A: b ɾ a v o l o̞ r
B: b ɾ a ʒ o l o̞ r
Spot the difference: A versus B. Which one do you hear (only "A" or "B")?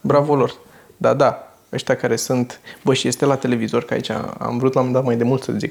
A